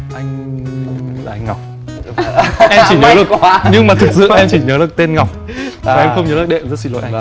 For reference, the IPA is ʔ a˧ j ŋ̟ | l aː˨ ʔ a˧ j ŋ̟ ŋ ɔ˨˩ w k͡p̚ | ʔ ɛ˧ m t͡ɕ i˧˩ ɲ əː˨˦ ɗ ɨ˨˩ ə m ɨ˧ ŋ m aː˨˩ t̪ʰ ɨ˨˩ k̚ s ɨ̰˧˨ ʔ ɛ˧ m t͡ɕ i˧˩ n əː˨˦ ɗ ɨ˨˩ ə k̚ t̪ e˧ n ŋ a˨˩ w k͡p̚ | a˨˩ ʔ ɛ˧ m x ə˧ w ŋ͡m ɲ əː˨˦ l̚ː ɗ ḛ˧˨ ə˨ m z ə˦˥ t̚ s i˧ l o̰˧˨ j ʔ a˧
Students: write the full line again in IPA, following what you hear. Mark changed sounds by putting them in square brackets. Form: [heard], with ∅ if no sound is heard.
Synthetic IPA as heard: ʔ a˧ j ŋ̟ | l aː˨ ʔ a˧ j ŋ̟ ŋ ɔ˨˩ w k͡p̚ | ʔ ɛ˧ m t͡ɕ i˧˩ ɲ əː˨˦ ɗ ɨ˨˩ ə [ɲ] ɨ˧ ŋ m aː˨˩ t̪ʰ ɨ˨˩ k̚ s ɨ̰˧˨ ʔ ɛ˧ m t͡ɕ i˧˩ [ɲ] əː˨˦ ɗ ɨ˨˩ ə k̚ t̪ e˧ n ŋ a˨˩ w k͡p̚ | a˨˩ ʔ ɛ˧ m x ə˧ w ŋ͡m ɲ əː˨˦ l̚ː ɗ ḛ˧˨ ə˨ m z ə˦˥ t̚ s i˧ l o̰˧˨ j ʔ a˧